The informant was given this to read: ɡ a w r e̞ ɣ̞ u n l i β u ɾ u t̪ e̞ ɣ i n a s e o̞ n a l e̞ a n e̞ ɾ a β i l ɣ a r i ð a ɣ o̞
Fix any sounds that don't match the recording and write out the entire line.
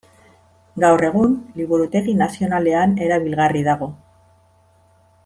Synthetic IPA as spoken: ɡ a w r e̞ ɣ̞ u n l i β u ɾ u t̪ e̞ ɣ i n a s i o̞ n a l e̞ a n e̞ ɾ a β i l ɣ a r i ð a ɣ o̞